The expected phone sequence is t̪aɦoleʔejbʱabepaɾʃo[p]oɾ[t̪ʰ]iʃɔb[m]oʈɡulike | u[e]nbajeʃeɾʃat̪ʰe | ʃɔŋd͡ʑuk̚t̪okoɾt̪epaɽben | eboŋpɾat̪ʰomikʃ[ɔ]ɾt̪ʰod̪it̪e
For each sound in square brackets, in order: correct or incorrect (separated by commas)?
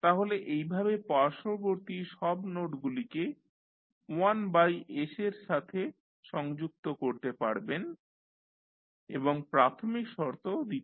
incorrect, incorrect, incorrect, incorrect, correct